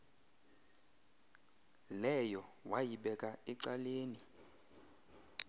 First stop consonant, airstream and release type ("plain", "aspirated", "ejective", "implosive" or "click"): implosive